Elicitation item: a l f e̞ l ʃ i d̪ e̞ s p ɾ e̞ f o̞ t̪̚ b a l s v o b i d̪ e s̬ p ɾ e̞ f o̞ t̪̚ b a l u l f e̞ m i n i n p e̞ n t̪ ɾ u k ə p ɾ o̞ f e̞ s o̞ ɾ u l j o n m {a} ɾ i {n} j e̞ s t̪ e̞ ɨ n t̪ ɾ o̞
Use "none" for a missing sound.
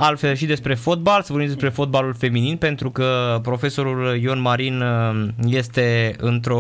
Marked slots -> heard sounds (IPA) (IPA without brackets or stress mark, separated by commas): a, n